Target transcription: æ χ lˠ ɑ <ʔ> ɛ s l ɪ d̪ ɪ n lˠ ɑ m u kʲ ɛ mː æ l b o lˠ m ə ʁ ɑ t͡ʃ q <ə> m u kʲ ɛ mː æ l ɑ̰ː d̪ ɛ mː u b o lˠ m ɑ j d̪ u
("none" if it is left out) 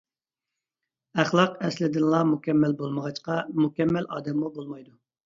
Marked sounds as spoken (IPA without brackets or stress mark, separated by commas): q, ɑ